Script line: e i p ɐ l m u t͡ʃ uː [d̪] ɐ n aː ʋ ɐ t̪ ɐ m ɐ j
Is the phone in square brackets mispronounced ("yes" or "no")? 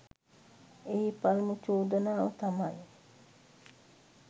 no